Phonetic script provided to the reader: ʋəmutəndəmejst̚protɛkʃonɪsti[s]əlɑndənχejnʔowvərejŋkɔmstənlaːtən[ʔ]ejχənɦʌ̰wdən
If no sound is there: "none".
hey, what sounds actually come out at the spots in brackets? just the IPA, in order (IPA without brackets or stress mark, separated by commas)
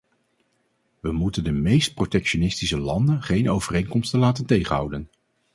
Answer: s, t